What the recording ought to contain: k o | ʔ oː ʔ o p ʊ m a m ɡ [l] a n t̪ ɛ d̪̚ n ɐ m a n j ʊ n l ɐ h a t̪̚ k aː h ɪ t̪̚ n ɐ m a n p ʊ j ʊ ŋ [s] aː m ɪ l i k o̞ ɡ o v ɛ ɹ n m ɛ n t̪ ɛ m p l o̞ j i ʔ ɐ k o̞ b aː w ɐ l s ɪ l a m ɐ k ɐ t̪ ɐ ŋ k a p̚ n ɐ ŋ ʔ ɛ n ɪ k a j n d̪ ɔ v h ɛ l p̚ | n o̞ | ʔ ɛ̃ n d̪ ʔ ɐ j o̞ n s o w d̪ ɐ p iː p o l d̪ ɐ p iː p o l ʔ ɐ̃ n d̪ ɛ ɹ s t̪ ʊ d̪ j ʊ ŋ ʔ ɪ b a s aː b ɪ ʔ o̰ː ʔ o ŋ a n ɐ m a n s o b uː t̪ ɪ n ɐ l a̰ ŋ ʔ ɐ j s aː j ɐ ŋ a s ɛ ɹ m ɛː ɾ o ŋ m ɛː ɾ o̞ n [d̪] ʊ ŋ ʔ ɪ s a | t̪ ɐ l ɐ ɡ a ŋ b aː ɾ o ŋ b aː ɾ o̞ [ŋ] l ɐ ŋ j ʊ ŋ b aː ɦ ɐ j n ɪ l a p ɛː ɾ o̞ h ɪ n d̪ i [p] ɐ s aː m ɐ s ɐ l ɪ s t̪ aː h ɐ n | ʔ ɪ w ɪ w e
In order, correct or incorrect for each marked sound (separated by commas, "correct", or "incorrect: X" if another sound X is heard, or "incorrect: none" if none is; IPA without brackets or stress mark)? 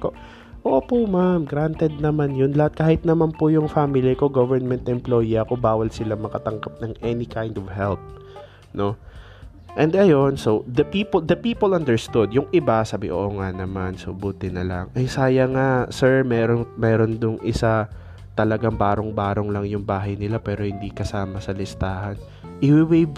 incorrect: ɾ, incorrect: f, correct, correct, incorrect: k